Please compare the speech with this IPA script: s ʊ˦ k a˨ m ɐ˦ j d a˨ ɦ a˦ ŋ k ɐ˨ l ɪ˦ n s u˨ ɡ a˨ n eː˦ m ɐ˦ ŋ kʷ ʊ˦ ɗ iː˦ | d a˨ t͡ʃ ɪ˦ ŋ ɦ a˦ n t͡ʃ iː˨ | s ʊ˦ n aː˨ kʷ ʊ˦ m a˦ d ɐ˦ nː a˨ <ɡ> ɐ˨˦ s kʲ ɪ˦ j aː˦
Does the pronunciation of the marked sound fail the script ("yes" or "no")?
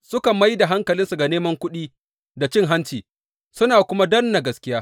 no